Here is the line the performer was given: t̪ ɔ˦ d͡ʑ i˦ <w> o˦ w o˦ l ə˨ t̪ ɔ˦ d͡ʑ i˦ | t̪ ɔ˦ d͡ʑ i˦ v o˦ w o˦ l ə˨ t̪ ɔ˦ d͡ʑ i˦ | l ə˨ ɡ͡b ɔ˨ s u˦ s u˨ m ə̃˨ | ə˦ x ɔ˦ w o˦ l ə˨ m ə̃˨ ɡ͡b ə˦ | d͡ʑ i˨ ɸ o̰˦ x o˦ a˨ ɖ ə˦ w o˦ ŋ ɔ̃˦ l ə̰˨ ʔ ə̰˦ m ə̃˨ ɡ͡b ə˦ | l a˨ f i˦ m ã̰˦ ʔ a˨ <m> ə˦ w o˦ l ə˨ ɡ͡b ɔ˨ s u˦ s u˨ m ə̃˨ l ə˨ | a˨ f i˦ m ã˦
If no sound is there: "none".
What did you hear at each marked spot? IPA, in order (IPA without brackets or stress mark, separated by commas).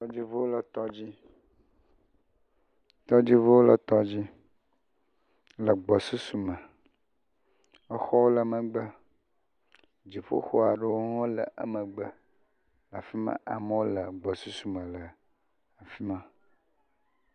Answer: v, m